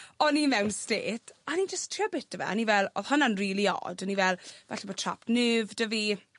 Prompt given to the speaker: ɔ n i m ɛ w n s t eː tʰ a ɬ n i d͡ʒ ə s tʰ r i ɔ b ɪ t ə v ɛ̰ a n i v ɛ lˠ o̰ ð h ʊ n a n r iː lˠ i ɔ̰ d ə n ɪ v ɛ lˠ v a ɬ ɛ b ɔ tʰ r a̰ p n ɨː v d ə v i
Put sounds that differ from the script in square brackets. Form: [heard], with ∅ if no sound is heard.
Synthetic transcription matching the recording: ɔ n i m ɛ w n s t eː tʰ a [∅] n i d͡ʒ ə s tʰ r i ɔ b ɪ t ə v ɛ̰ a n i v ɛ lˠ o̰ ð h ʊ n a n r iː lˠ i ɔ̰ d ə n [i] v ɛ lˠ v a ɬ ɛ b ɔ tʰ r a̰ p n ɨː v d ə v i